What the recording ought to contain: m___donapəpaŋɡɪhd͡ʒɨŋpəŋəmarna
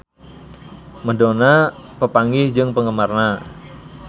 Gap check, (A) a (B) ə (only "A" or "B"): B